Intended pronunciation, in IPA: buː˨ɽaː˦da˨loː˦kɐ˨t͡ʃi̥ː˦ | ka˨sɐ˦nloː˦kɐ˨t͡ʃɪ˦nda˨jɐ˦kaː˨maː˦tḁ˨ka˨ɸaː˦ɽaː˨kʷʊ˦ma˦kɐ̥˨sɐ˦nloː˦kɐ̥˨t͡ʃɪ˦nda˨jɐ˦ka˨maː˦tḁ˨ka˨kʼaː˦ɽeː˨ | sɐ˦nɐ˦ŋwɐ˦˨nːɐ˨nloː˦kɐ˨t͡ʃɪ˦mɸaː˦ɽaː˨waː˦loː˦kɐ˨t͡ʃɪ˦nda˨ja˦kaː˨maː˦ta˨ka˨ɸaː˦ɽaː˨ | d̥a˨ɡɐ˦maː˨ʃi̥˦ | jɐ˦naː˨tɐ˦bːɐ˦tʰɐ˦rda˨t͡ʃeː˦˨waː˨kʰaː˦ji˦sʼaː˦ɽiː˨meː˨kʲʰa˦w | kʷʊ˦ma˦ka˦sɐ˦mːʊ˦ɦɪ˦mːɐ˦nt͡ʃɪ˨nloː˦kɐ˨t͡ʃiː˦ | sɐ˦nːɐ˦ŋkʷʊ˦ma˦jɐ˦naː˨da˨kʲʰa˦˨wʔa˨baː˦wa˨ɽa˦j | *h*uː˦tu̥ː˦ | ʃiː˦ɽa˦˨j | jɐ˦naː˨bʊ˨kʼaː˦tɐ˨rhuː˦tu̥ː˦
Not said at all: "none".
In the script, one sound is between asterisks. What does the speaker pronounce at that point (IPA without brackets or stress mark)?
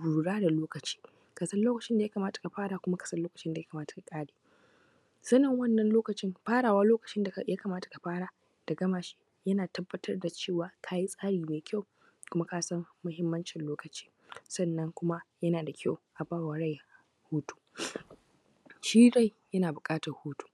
h